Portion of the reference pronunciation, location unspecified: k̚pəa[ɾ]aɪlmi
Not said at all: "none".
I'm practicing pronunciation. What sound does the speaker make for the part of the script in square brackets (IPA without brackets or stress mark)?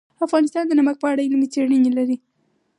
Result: ɽ